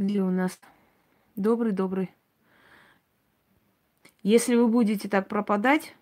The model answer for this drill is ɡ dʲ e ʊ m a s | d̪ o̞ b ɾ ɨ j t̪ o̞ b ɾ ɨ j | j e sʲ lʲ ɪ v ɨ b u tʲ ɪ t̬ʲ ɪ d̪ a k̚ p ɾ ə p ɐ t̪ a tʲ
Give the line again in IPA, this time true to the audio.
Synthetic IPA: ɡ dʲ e ʊ n a s | d̪ o̞ b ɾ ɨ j d̪ o̞ b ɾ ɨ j | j e sʲ lʲ ɪ v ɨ b u dʲ ɪ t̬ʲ ɪ t̪ a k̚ p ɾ ə p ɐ d̪ a tʲ